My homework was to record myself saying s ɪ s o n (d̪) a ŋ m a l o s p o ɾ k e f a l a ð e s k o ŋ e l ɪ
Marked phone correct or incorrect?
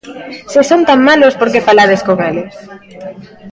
incorrect